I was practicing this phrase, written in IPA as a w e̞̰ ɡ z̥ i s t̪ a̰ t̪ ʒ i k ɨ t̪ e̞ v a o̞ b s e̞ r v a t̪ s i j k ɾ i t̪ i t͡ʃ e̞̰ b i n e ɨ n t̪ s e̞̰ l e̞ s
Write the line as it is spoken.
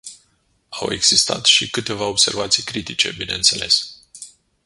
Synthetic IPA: a w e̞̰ ɡ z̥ i s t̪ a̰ t̪ ʃ i k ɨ t̪ e̞ v a o̞ b s e̞ r v a t̪ s i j k ɾ i t̪ i t͡ʃ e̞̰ b i n e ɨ n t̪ s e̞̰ l e̞ s